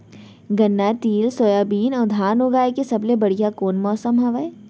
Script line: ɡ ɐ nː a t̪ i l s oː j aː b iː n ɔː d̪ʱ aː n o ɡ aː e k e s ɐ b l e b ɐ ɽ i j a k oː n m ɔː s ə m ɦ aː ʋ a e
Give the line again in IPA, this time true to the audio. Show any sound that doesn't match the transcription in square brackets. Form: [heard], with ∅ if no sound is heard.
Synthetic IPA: ɡ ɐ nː a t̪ [iː] l s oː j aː b iː n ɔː d̪ʱ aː n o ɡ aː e k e s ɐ b l e b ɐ ɽ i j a k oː n m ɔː s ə m ɦ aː ʋ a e